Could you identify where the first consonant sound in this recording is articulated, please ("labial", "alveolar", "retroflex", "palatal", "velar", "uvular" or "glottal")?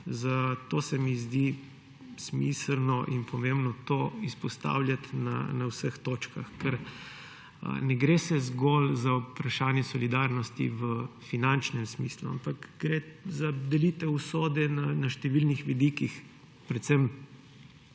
alveolar